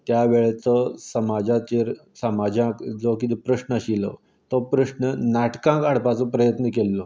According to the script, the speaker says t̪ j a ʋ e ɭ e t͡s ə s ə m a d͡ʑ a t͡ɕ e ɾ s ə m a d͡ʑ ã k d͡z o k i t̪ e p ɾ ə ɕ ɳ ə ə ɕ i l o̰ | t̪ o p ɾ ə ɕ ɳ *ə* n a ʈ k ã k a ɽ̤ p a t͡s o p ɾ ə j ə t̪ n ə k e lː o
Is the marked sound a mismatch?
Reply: no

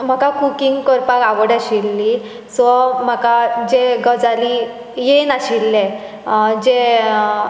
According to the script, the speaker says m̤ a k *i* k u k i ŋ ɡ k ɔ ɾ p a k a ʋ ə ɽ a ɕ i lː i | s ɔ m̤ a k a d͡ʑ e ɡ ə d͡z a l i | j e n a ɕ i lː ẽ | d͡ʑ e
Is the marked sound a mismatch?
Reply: yes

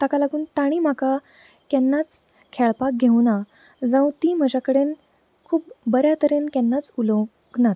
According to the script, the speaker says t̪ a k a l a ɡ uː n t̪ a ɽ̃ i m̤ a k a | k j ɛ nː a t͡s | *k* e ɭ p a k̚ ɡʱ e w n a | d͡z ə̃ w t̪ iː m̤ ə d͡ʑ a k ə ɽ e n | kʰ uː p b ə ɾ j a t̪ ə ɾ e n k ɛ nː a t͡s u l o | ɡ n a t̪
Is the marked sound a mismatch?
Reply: yes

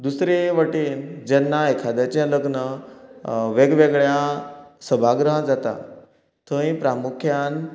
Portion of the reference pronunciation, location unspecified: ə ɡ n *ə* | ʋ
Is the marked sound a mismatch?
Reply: no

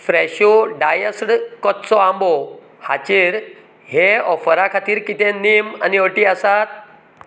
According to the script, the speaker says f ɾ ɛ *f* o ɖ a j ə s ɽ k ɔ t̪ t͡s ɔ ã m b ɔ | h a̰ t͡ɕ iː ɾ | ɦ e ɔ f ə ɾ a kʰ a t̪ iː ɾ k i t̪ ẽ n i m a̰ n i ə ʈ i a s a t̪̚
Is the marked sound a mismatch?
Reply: yes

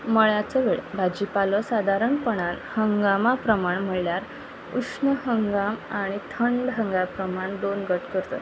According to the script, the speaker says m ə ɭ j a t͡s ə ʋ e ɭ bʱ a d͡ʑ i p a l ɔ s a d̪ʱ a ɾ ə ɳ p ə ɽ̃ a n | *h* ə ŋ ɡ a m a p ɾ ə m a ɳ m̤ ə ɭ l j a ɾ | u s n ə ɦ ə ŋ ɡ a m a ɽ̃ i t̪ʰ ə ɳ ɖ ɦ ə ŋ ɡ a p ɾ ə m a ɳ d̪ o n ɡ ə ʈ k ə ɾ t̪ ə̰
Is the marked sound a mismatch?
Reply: no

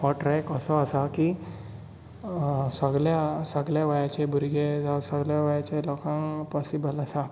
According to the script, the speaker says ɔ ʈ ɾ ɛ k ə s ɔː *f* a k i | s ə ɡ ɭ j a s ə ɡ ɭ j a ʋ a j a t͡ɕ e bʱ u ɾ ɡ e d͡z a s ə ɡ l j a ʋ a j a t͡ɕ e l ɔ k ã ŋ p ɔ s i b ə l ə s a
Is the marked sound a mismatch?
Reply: yes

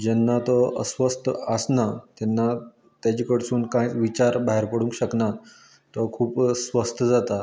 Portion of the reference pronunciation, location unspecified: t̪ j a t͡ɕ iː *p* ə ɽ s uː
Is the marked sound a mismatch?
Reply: yes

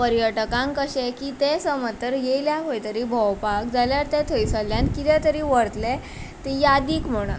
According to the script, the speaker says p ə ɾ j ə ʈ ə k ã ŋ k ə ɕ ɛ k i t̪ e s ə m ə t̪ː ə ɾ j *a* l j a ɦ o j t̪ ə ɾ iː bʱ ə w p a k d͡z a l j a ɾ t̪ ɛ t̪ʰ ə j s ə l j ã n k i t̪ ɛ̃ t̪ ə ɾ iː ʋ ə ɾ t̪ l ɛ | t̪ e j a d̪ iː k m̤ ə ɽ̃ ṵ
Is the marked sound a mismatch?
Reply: yes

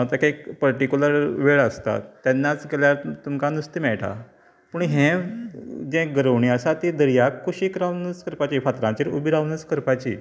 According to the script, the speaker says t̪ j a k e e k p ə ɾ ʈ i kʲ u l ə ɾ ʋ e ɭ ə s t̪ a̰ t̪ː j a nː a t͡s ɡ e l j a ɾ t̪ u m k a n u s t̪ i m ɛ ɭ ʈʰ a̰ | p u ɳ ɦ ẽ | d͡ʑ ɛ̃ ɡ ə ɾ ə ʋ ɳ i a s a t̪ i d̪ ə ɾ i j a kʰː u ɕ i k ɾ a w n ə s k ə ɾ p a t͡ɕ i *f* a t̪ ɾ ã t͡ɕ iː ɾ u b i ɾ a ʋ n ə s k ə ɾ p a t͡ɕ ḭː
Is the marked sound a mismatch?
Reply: no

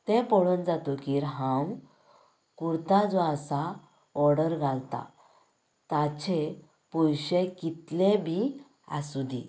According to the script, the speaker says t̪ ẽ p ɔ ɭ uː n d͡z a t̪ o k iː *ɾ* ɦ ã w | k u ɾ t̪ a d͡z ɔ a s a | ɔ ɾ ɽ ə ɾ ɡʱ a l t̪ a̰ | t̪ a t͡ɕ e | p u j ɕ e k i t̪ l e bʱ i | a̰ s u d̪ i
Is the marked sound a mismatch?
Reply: no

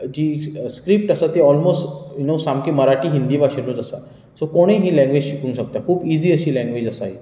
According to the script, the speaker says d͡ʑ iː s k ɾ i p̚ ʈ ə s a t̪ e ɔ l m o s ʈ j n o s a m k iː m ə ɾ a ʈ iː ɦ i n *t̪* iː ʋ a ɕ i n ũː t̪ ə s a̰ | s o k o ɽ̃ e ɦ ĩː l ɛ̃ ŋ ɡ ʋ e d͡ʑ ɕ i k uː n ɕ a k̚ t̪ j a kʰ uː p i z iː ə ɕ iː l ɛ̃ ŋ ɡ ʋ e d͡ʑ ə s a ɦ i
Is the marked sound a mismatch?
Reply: yes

